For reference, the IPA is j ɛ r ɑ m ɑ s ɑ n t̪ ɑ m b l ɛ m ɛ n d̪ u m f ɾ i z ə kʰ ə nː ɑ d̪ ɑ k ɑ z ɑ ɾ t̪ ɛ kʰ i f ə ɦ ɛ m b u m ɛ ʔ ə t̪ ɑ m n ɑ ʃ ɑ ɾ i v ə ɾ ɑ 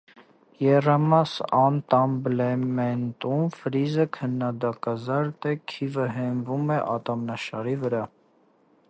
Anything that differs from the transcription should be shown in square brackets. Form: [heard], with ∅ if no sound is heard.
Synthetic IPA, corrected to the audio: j ɛ r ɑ m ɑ s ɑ n t̪ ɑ m b l ɛ m ɛ n [t̪] u m f ɾ i z ə kʰ ə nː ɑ d̪ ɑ k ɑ z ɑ ɾ t̪ ɛ kʰ i [v] ə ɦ ɛ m [v] u m ɛ ʔ [ɑ] t̪ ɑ m n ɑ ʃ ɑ ɾ i v ə ɾ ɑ